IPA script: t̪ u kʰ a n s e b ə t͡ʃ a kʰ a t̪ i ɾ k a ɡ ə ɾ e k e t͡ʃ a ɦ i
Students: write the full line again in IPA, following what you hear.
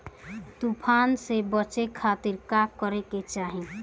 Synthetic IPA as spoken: t̪ u pʰ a n s e b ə t͡ʃ e kʰ a t̪ i ɾ k a k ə ɾ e k e t͡ʃ a ɦ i